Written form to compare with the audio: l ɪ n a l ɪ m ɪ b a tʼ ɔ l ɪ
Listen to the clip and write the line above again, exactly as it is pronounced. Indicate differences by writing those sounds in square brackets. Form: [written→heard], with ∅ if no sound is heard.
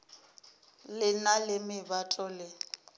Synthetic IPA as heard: l ɪ n a l ɪ m ɪ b a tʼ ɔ l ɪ